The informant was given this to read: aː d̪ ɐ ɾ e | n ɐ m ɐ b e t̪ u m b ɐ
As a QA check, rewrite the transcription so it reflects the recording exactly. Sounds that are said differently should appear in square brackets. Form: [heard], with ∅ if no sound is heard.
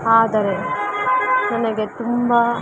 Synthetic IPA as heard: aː d̪ ɐ ɾ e | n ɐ [n] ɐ [ɡ] e t̪ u m b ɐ

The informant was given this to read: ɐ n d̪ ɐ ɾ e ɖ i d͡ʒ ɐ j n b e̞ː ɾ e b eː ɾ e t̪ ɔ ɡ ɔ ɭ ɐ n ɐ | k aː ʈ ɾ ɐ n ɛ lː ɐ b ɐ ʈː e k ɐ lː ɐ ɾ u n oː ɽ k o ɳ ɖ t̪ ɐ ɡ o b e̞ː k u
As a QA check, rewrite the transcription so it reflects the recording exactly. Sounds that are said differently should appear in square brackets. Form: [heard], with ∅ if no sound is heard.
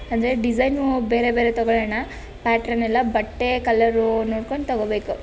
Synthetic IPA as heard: ɐ n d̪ ɐ ɾ e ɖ i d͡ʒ ɐ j n b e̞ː ɾ e b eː ɾ e t̪ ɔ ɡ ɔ ɭ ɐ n ɐ | [p] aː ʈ ɾ ɐ n ɛ lː ɐ b ɐ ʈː e k ɐ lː ɐ ɾ u n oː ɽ k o ɳ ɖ t̪ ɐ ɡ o b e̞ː k u

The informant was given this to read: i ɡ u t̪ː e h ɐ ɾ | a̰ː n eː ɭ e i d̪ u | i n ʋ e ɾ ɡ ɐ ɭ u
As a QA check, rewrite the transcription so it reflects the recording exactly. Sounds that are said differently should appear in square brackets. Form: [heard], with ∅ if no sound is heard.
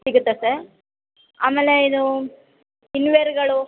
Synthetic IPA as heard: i ɡ u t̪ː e [s] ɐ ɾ | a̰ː [m] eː [l] e i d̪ u | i n ʋ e ɾ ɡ ɐ ɭ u

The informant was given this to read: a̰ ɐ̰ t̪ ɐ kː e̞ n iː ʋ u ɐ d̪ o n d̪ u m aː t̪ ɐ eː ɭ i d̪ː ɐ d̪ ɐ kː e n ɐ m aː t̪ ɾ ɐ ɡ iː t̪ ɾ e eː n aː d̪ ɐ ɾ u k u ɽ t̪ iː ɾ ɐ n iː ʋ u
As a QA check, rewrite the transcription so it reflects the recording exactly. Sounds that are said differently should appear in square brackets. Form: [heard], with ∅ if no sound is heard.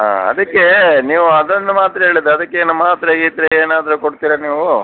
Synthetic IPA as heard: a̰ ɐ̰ [d̪] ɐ kː e̞ n iː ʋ u ɐ d̪ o n d̪ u m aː t̪ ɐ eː ɭ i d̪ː ɐ d̪ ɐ kː e n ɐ m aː t̪ ɾ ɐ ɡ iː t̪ ɾ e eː n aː d̪ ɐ ɾ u k [o] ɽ t̪ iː ɾ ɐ n iː ʋ u

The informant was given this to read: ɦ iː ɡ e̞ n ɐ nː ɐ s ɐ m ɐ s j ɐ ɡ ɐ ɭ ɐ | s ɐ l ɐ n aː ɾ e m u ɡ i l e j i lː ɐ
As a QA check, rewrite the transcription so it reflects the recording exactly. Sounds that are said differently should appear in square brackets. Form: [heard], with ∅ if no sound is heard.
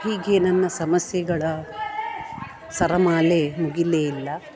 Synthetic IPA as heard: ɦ iː ɡ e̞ n ɐ nː ɐ s ɐ m ɐ s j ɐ ɡ ɐ ɭ ɐ | s ɐ [ɾ] ɐ [m] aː [l] e m u ɡ i l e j i lː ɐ

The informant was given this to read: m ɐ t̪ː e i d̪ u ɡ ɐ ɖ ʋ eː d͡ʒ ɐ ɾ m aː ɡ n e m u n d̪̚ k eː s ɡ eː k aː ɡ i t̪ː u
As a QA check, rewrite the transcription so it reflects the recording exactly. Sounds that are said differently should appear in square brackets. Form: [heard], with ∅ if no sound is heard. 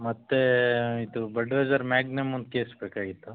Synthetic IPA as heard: m ɐ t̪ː e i d̪ u [b] ɐ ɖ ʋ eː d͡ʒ ɐ ɾ m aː ɡ n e m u n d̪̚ k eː s [b] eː k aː ɡ i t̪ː u

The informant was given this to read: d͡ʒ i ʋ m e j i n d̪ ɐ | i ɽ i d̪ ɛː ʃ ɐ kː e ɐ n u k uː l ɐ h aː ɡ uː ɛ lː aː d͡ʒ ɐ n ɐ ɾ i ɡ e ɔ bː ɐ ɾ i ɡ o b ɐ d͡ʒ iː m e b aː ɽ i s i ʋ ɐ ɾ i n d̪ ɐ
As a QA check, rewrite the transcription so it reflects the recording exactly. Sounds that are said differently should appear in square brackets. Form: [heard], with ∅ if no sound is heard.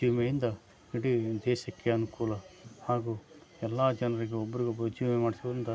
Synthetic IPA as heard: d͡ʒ i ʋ m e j i n d̪ ɐ | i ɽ i d̪ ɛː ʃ ɐ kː e ɐ n u k uː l ɐ h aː ɡ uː ɛ lː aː d͡ʒ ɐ n ɐ ɾ i ɡ e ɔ bː ɐ ɾ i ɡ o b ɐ d͡ʒ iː m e [m] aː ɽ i s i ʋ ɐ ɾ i n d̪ ɐ

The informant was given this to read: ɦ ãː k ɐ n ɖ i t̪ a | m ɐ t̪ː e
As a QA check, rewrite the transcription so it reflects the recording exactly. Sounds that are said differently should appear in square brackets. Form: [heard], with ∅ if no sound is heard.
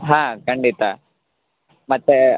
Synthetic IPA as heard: ɦ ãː k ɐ [ɳ] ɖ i t̪ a | m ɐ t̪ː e

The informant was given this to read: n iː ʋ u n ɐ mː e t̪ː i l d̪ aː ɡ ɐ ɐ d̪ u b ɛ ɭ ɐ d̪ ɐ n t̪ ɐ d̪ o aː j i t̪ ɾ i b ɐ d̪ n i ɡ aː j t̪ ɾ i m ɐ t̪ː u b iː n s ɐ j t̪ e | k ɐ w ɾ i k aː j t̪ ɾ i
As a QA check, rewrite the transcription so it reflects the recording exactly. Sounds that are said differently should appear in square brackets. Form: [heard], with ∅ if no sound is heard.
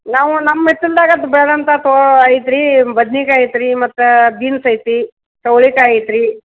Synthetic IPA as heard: n [aː] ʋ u n ɐ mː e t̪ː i l d̪ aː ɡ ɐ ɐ d̪ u b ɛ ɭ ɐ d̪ ɐ n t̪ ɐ [t̪] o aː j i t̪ ɾ i b ɐ d̪ n i [k] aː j t̪ ɾ i m ɐ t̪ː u b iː n s ɐ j t̪ [i] | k ɐ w [ɭ] i k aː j t̪ ɾ i

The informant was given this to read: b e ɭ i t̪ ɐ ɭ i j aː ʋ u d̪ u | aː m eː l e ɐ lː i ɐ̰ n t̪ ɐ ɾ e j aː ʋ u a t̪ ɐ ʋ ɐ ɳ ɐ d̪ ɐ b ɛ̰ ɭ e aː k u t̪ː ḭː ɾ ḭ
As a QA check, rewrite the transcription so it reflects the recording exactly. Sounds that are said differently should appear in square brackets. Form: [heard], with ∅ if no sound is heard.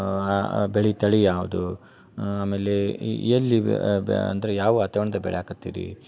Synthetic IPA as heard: b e ɭ i t̪ ɐ ɭ i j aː ʋ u d̪ u | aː m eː l e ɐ lː i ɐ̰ n [d̪] ɐ ɾ e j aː ʋ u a t̪ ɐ ʋ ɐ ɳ ɐ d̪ ɐ b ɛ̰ ɭ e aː k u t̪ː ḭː ɾ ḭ

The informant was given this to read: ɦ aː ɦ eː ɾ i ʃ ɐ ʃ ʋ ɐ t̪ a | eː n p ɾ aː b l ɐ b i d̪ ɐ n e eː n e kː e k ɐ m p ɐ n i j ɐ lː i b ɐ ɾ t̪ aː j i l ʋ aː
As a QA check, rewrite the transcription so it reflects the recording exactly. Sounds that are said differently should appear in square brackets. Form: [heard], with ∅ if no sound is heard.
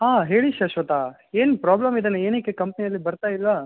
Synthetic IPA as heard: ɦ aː ɦ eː [ɭ] i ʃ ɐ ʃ ʋ ɐ t̪ a | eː n p ɾ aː b l ɐ [m] i d̪ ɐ n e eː n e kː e k ɐ m p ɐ n i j ɐ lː i b ɐ ɾ t̪ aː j i l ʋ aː

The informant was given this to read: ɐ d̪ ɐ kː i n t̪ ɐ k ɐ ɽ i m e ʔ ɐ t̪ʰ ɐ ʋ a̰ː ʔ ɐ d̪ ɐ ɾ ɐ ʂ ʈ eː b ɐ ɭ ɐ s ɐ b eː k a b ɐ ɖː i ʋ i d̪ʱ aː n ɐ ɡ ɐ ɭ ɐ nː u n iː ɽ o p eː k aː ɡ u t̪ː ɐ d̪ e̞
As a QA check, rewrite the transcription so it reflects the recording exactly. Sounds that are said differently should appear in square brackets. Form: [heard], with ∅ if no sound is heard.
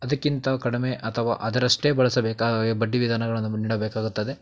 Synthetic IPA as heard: ɐ d̪ ɐ kː i n t̪ ɐ k ɐ ɽ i m e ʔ ɐ t̪ʰ ɐ ʋ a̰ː ʔ ɐ d̪ ɐ ɾ ɐ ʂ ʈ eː b ɐ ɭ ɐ s ɐ b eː k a b ɐ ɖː i ʋ i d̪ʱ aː n ɐ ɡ ɐ ɭ ɐ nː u n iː ɽ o [b] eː k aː ɡ u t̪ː ɐ d̪ e̞

